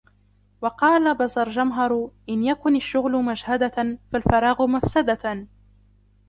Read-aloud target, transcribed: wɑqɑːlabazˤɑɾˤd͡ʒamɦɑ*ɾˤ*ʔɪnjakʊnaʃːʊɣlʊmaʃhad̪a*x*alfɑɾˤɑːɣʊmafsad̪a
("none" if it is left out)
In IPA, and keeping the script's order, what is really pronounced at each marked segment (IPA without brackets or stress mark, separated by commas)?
ɾˤ, f